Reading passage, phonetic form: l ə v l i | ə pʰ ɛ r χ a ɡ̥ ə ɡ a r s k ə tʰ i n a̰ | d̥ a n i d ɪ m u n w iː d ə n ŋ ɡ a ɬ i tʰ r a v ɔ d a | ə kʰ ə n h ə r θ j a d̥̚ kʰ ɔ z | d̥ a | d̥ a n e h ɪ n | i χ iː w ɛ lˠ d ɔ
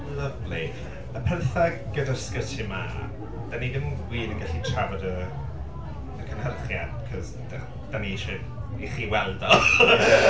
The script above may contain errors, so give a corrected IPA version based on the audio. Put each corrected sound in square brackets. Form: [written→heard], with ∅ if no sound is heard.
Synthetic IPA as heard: l ə v l i | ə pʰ ɛ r [χ→θ] a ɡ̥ ə [ɡ→d] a r s k ə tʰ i [n→m] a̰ | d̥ a n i d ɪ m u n w iː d ə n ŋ ɡ a ɬ i tʰ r a v ɔ d [a→ə] | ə kʰ ə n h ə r [θ→χ] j a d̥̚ kʰ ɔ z | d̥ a | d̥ a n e [h→ʃ] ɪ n | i χ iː w ɛ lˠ d ɔ